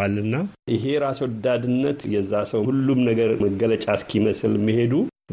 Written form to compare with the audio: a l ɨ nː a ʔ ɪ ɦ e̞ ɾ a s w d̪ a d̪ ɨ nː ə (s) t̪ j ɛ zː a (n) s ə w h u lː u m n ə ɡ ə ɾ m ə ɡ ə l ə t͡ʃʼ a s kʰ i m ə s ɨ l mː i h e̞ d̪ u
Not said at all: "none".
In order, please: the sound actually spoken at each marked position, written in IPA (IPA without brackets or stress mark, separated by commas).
none, none